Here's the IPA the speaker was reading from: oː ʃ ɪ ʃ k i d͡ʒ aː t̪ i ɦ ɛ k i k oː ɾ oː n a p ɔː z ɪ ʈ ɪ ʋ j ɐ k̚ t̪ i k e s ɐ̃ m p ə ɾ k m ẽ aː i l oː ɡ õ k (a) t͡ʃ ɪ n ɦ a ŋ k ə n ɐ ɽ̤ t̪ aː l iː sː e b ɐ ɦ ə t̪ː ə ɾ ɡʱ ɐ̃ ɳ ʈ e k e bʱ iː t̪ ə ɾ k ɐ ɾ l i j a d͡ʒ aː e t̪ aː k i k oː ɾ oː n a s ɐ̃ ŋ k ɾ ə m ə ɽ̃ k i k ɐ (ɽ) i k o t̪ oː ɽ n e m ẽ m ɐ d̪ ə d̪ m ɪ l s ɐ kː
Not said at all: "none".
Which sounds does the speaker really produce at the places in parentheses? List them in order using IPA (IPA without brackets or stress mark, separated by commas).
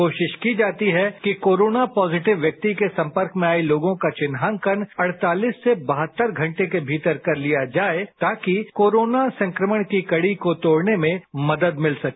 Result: a, ɽ